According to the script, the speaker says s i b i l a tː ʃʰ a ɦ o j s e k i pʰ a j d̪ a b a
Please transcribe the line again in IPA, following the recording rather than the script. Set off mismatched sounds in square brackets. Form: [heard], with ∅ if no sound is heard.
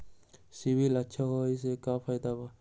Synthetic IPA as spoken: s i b i l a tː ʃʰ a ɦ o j s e k [a] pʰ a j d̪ a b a